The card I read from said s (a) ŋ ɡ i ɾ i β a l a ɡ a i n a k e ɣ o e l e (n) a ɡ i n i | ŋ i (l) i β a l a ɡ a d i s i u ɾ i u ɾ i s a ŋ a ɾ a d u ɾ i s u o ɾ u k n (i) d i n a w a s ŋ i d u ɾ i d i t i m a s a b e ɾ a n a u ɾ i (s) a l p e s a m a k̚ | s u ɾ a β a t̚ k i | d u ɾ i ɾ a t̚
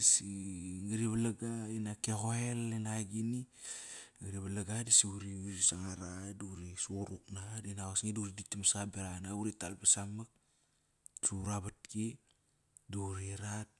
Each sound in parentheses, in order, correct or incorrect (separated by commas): incorrect, correct, incorrect, incorrect, incorrect